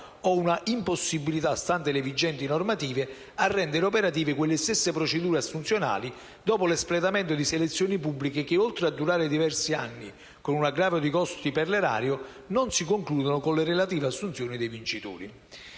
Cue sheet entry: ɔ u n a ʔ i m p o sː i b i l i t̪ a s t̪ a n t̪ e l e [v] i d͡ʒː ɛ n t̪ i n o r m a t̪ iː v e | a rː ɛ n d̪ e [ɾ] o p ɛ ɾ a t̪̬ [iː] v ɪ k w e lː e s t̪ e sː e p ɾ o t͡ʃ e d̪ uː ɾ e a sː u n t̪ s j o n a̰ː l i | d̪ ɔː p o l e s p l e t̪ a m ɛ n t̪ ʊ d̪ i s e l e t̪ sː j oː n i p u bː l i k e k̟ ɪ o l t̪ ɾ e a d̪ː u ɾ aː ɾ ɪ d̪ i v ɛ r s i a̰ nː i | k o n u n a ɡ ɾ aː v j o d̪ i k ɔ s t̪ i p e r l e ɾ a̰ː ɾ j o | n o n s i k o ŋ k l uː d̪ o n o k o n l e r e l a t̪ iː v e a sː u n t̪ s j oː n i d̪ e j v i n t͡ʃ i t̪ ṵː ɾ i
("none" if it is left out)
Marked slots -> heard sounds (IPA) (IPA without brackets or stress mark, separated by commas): v, ɾ, iː